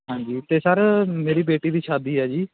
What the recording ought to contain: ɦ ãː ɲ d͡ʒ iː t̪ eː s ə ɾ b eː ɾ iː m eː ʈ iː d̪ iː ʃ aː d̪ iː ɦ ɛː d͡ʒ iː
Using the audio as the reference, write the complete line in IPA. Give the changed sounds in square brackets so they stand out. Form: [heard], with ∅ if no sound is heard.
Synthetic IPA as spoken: ɦ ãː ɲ d͡ʒ iː t̪ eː s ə ɾ [m] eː ɾ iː [b] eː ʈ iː d̪ iː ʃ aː d̪ iː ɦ ɛː d͡ʒ iː